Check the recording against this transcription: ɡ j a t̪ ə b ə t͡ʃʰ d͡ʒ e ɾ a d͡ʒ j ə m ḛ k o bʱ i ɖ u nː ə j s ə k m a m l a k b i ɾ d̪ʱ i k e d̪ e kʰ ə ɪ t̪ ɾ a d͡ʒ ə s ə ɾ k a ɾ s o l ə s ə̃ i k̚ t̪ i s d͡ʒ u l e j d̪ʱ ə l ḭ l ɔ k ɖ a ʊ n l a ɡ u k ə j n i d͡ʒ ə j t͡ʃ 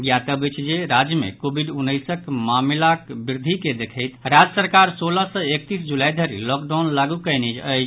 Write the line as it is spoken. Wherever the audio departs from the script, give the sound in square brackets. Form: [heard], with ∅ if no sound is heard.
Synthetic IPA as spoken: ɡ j a t̪ ə b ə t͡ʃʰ d͡ʒ e ɾ a d͡ʒ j ə m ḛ k o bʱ i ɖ u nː ə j s ə k m a m l a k b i ɾ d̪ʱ i k e d̪ e kʰ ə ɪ t̪ ɾ a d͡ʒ ə s ə ɾ k a ɾ s o l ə s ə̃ [e] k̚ t̪ i s d͡ʒ u l [a] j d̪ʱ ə [ɾ] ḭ l ɔ k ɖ a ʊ n l a ɡ u k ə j n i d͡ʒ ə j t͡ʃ